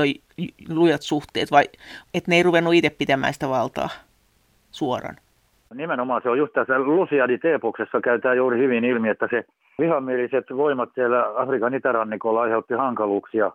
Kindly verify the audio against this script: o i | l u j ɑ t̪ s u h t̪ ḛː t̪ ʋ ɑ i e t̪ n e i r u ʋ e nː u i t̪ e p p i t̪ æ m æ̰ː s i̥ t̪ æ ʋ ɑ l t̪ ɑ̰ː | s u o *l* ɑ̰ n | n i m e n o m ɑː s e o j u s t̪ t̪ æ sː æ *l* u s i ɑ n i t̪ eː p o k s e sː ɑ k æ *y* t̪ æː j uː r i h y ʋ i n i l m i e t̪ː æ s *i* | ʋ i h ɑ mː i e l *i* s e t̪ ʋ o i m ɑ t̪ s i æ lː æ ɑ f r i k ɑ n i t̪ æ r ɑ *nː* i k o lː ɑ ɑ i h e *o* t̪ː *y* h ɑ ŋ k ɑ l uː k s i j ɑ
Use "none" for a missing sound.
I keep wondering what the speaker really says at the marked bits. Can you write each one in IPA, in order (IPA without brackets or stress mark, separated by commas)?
r, l, y, e, i, nː, u, i